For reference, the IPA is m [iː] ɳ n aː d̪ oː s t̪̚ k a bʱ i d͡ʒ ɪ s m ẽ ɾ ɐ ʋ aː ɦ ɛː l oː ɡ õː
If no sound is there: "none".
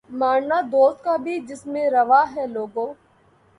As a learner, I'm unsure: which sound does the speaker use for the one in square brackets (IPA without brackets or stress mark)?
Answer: aː